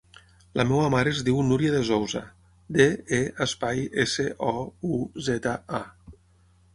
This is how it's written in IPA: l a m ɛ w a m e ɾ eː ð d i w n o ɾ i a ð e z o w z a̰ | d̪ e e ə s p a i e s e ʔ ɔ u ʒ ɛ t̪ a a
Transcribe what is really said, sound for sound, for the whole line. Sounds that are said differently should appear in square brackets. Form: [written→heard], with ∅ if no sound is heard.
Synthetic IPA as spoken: l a m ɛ w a m [e→a] ɾ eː [ð→z] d i w n [o→u] ɾ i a ð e z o w z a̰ | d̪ e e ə s p a [i→j] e s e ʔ ɔ u [ʒ→z] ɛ t̪ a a